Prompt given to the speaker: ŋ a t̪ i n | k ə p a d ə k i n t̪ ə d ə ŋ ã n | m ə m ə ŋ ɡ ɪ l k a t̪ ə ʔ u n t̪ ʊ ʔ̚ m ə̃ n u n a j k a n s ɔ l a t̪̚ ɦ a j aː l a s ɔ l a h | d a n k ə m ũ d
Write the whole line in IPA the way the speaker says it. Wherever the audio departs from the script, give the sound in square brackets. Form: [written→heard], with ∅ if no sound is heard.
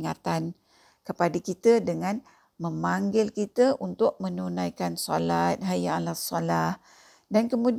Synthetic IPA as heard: ŋ a t̪ [i→a] n | k ə p a d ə k i [n→∅] t̪ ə d ə ŋ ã n | m ə m [ə→a] ŋ ɡ ɪ l k [a→i] t̪ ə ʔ u n t̪ ʊ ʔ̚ m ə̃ n u n a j k a n s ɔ l a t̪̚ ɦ a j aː l a s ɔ l a h | d a n k ə m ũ d